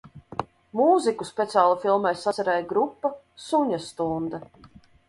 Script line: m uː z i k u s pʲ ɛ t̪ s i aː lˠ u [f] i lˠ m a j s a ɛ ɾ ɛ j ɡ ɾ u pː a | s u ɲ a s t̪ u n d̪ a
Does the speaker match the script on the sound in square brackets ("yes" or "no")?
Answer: yes